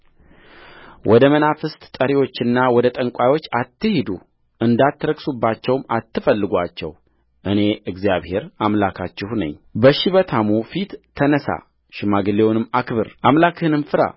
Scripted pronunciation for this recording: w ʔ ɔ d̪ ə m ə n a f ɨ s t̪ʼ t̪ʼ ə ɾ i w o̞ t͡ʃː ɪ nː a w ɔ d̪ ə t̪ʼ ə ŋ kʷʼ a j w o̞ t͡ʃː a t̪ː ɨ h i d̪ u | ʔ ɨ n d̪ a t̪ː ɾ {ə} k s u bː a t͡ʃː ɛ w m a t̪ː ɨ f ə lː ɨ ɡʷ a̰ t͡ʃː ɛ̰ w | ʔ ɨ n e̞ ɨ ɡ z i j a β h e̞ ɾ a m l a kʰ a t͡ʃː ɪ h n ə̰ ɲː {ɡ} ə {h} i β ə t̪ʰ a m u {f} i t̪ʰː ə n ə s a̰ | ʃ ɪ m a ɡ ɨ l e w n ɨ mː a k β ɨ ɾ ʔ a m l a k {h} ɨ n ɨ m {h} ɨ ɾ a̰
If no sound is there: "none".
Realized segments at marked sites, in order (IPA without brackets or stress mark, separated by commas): ə, b, ʃ, f, h, f